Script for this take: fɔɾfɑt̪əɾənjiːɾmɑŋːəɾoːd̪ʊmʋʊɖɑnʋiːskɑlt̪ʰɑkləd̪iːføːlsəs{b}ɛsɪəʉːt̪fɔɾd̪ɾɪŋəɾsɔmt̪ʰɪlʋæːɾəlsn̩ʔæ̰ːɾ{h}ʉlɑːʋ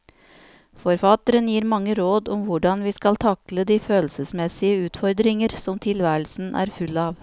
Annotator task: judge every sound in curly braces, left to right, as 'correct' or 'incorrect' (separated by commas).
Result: incorrect, incorrect